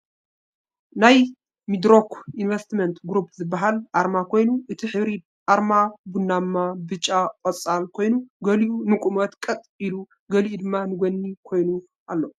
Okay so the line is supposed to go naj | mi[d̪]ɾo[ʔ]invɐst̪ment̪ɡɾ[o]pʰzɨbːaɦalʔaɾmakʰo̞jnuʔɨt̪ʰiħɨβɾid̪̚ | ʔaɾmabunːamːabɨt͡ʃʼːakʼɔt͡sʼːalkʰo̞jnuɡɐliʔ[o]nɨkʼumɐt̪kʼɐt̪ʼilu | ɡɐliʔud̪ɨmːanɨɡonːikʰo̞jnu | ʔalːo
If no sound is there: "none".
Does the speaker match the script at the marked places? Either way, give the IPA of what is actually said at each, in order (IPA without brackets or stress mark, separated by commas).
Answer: d̪, k, u, u